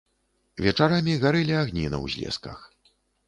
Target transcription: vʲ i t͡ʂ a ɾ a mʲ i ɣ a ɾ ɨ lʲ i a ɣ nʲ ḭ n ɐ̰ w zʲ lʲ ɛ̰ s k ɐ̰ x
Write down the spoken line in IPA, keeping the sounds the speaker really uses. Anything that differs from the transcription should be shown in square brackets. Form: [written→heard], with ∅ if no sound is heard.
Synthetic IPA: vʲ [i→ɛ] t͡ʂ a ɾ a mʲ i ɣ a ɾ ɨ lʲ i a ɣ nʲ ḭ n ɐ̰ w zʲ lʲ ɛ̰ s k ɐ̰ x